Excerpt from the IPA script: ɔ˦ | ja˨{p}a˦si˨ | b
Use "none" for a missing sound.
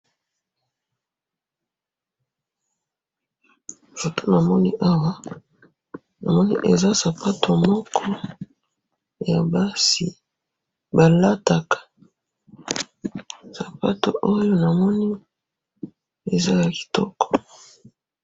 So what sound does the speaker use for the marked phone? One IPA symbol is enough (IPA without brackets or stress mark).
b